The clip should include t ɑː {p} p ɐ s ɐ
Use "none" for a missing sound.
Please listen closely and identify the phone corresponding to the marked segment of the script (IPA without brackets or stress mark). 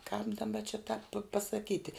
p